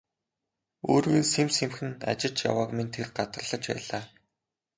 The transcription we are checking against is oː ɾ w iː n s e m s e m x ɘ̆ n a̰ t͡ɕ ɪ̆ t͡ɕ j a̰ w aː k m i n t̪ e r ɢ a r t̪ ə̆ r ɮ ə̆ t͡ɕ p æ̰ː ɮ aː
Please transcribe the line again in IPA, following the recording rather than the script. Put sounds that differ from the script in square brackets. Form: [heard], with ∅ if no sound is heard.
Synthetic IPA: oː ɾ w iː n s e m s e m x ɘ̆ n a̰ t͡ɕ ɪ̆ t͡ɕ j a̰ w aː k m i n [t̪ʰ] e r ɢ a [∅] t̪ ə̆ r ɮ ə̆ t͡ɕ p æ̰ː ɮ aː